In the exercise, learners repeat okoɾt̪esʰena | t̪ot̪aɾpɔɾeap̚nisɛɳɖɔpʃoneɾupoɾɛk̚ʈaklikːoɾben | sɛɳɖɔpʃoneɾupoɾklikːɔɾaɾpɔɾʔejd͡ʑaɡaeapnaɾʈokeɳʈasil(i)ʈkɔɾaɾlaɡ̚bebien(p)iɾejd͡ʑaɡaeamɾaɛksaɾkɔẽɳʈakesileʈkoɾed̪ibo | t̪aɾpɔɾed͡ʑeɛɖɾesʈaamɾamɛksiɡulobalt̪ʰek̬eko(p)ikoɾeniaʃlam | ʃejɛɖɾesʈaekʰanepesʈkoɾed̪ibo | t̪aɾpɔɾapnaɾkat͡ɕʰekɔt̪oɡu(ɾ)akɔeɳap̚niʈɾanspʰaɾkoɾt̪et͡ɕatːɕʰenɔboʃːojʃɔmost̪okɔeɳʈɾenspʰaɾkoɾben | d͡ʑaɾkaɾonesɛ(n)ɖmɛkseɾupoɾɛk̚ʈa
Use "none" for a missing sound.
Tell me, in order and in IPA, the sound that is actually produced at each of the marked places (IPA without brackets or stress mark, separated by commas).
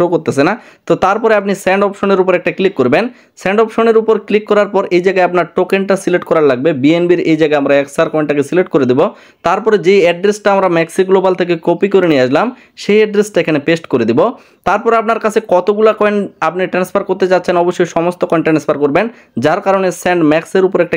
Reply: e, b, p, l, ɳ